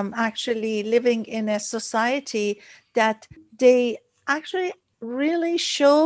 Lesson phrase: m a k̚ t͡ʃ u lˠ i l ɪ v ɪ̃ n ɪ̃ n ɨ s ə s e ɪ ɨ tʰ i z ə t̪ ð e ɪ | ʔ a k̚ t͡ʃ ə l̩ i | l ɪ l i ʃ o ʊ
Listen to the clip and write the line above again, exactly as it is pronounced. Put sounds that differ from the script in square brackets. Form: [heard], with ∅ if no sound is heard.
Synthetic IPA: m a k̚ t͡ʃ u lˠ i l ɪ v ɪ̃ [ŋ] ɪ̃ n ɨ s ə s [a] ɪ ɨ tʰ i [ð] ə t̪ ð e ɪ | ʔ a k̚ t͡ʃ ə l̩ i | [ɹ] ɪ l i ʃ o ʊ